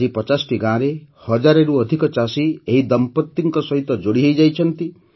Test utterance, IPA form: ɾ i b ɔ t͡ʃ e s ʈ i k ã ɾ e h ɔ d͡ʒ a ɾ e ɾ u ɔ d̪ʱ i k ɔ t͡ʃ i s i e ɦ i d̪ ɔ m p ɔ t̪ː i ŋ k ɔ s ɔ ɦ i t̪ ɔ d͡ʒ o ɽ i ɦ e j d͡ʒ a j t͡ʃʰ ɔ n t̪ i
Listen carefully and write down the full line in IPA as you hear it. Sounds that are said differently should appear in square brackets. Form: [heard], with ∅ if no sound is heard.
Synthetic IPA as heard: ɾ i [p] ɔ t͡ʃ [a] s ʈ i [ɡ] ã ɾ e h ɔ d͡ʒ a ɾ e ɾ u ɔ d̪ʱ i k ɔ t͡ʃ [a] s i e ɦ i d̪ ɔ m p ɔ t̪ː i ŋ k ɔ s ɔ ɦ i t̪ ɔ d͡ʒ o ɽ i ɦ e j d͡ʒ a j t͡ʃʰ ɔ n t̪ i